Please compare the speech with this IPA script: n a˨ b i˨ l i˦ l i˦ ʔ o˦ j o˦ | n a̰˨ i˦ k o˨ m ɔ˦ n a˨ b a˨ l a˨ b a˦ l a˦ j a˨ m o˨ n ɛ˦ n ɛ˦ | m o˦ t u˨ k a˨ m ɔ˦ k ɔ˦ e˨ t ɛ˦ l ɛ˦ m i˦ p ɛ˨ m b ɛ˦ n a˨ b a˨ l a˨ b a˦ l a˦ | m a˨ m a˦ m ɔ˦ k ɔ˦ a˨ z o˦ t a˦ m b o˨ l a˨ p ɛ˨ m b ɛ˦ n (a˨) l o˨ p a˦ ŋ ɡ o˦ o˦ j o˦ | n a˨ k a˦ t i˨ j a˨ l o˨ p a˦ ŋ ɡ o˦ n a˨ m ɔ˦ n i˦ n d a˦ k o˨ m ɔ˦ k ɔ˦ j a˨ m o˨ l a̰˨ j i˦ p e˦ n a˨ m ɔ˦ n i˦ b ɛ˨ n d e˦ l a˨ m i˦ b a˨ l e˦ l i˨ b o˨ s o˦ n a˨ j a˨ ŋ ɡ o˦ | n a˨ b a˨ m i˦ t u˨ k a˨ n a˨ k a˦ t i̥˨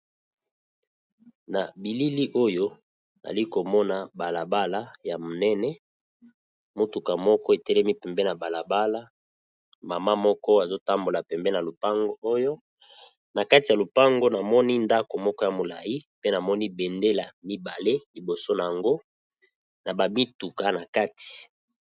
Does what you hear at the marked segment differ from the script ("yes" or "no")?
no